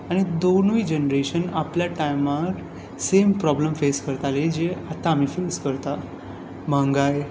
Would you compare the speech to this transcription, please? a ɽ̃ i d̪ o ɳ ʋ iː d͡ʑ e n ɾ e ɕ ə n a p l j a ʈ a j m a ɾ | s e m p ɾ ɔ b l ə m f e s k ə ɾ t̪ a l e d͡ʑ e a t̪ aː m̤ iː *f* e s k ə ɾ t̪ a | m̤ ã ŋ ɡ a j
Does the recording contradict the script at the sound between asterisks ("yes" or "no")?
no